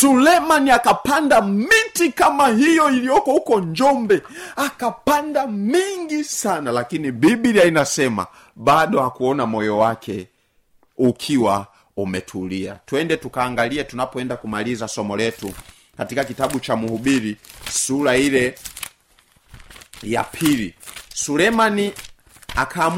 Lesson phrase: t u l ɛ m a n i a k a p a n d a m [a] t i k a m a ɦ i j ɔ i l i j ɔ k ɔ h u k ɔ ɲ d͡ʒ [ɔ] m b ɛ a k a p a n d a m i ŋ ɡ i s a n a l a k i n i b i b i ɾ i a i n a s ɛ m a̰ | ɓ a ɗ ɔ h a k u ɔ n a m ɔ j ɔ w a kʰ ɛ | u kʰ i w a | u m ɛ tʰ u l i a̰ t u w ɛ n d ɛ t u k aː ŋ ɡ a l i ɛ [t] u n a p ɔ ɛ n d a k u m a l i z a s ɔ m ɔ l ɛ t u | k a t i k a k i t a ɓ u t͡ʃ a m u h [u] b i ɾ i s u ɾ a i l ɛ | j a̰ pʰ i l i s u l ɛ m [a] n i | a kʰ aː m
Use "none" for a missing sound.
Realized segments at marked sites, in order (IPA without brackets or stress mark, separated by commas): i, ɔ, t, u, a